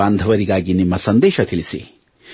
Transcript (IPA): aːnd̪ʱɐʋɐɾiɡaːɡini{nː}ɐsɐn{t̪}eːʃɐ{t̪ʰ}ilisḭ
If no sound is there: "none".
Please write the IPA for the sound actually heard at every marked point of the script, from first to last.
mː, d̪, t̪ʰ

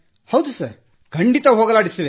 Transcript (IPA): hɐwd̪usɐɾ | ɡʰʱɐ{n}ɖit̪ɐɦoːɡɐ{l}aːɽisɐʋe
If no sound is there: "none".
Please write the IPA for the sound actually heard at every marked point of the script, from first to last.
ɳ, l

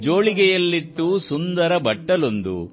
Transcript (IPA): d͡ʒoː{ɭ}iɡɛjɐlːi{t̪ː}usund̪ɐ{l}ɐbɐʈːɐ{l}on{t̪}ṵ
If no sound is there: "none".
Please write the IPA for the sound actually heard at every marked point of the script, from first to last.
ɭ, t̪ː, ɾ, l, d̪

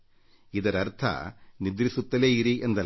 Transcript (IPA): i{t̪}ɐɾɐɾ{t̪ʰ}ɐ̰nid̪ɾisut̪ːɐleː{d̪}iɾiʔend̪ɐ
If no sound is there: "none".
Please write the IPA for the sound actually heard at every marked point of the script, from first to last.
d̪, t̪ʰ, none

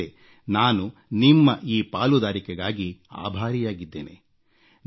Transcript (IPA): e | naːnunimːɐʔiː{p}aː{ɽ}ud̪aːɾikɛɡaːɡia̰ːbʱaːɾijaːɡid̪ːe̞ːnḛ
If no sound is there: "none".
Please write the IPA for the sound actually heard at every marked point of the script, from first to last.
p, l

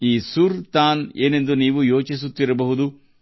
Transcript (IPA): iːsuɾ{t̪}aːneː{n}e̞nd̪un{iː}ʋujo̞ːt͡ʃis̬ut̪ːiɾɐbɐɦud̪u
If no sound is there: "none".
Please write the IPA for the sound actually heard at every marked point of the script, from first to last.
t̪, n, iː

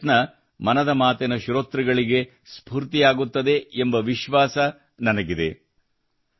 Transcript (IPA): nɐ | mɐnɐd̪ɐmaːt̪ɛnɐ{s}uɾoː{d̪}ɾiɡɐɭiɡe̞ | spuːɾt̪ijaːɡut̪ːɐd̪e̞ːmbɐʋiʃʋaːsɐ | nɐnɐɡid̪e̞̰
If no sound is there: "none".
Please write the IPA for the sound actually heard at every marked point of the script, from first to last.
ʃ, t̪

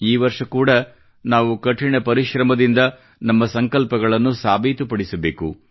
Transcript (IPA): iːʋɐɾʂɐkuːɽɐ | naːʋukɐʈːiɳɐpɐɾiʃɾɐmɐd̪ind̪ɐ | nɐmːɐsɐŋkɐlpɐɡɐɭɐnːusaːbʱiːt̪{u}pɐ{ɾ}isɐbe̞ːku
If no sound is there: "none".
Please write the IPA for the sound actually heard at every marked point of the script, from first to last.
u, ɽ

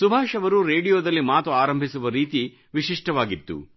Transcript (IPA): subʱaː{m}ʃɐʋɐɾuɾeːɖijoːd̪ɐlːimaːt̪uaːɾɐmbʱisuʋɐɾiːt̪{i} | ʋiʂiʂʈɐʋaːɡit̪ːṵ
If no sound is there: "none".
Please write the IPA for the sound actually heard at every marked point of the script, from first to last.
none, i

